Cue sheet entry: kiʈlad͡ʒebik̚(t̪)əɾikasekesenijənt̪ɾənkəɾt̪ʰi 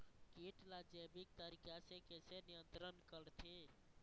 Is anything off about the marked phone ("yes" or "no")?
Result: no